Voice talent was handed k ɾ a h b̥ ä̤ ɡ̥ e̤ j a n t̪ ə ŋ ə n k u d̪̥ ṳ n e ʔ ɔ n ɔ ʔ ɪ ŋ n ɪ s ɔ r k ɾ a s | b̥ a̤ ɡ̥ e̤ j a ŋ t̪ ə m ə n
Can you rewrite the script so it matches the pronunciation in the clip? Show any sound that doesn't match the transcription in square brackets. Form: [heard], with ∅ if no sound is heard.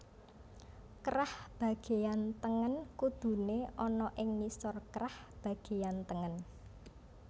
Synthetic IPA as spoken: k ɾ a h b̥ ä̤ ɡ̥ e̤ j a n t̪ ə ŋ ə n k u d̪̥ ṳ n e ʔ ɔ n ɔ ʔ ɪ ŋ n [i] s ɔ r k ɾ a [h] | b̥ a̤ ɡ̥ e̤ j a [n] t̪ ə [ŋ] ə n